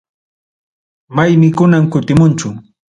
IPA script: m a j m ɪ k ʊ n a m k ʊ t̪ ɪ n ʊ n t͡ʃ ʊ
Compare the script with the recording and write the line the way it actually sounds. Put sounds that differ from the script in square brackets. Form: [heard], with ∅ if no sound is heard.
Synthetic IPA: m a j m ɪ k ʊ n a m k ʊ t̪ ɪ [m] ʊ n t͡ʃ ʊ